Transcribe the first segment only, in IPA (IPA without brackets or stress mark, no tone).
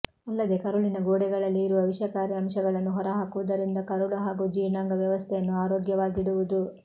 ɐ